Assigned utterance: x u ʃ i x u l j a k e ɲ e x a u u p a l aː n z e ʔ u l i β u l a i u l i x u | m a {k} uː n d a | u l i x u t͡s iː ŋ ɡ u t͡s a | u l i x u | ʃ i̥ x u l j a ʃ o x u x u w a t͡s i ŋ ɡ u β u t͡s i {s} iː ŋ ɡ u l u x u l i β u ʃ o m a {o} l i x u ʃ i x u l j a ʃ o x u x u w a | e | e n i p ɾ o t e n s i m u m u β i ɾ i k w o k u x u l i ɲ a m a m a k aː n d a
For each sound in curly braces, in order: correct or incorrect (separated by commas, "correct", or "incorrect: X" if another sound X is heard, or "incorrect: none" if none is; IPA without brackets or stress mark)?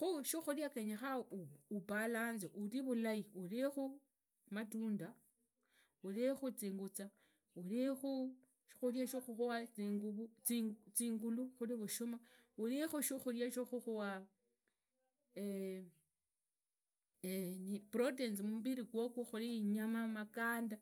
incorrect: t, incorrect: t͡s, incorrect: u